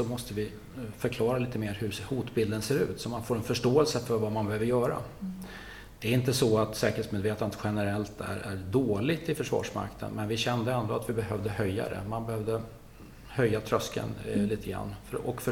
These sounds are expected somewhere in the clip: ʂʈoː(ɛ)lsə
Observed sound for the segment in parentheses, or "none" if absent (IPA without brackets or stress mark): ɛ